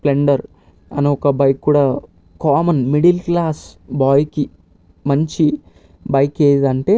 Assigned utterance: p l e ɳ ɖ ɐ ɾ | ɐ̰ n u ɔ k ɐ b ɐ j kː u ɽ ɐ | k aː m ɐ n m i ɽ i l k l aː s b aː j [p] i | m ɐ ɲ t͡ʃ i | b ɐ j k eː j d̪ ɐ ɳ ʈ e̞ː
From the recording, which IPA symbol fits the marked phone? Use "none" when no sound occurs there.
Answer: k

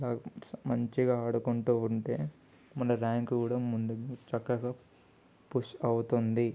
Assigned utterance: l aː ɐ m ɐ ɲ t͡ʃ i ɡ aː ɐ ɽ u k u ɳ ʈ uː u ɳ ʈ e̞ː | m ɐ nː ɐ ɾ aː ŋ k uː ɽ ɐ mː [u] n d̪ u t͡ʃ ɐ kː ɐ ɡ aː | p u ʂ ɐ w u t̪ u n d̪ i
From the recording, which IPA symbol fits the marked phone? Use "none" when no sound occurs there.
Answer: u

